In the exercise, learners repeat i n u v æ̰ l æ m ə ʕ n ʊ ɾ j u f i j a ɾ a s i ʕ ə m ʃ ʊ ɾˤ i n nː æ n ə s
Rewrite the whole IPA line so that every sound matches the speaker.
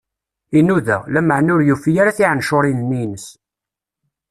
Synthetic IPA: i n u ð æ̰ l æ m ə ʕ n ʊ ɾ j u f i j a ɾ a θ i ʕ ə n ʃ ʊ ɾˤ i n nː i n ə s